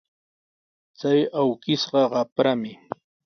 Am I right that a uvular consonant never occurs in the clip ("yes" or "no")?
no